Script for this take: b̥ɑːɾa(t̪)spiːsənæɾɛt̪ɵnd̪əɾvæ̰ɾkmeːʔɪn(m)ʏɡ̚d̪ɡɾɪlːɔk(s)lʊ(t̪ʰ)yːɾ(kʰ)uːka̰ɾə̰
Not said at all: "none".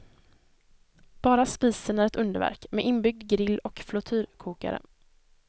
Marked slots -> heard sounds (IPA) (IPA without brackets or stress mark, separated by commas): none, b, f, t̪ʰ, kʰ